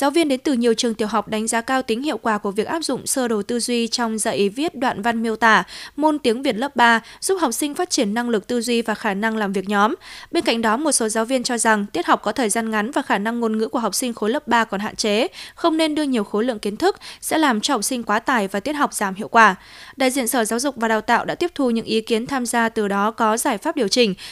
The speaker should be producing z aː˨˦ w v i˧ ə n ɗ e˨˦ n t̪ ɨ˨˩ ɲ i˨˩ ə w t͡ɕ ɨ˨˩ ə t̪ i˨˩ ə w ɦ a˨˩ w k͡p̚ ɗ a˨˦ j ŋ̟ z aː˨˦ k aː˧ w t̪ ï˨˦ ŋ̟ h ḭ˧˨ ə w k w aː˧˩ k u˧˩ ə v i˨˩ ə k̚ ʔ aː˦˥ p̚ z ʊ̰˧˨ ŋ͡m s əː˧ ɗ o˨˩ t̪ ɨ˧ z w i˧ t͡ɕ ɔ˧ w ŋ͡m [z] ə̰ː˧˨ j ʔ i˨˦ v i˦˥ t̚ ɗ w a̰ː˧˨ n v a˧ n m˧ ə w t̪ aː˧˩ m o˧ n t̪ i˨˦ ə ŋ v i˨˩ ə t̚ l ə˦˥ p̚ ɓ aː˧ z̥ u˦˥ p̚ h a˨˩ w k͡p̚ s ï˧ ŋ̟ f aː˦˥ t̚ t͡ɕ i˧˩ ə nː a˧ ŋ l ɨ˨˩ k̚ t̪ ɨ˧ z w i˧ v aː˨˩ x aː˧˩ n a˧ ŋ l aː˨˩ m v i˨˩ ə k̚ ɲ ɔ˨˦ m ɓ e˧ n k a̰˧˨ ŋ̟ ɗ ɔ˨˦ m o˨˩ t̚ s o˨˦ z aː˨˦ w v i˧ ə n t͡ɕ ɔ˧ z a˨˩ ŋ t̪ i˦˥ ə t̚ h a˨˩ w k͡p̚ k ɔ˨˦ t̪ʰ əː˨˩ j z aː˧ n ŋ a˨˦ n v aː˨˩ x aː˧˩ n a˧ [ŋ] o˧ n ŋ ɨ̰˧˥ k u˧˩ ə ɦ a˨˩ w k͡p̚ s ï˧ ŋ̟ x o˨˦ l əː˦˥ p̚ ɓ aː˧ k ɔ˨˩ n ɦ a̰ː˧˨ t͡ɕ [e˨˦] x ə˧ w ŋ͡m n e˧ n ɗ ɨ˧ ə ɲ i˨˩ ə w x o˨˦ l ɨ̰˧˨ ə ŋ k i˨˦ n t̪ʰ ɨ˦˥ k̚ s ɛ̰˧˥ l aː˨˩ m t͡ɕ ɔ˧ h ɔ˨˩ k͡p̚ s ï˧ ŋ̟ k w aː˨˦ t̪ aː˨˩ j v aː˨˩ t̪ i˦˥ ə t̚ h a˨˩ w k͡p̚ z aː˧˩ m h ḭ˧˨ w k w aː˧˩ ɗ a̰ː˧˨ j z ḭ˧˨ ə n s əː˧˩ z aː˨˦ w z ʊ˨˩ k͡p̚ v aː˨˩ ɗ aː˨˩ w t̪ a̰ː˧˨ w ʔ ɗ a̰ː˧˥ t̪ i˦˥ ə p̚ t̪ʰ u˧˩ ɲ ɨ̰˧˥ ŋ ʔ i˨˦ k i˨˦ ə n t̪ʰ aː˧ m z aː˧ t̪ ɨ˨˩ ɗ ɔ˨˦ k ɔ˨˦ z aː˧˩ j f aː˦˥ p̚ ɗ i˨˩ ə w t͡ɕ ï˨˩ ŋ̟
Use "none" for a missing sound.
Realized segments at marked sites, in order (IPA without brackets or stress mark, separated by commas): z, ŋː, e˨˦